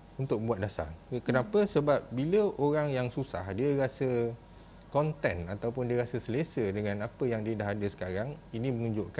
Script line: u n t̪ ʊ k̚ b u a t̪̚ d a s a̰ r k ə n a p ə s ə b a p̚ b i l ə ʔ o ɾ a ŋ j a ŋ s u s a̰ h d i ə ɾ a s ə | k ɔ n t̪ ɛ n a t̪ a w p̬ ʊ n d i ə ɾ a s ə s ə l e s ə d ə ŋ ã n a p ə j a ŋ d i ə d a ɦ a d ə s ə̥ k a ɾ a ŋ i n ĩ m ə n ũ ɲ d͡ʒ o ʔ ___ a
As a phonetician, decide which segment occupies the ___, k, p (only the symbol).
k